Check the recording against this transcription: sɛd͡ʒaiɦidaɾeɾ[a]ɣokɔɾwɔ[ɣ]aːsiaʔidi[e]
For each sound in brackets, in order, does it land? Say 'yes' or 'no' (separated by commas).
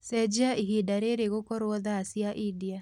no, no, no